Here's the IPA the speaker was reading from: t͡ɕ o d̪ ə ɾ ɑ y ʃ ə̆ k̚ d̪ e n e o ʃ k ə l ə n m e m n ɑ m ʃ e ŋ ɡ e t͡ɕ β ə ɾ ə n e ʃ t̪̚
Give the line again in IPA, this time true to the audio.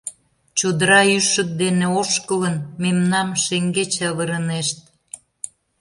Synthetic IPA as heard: t͡ɕ o d̪ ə ɾ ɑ y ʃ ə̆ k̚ d̪ e n e o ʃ k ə l ə n m e m n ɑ m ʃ e ŋ ɡ e t͡ɕ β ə ɾ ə n e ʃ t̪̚

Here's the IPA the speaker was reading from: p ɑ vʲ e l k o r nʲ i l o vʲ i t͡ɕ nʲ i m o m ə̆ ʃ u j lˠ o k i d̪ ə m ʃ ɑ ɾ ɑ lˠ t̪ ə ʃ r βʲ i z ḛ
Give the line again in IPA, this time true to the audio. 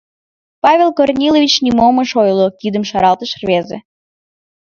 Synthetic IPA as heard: p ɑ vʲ e l k o r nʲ i l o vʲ i t͡ɕ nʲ i m o m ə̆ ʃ o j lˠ o k i d̪ ə m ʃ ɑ ɾ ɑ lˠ t̪ ə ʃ r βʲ e z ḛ

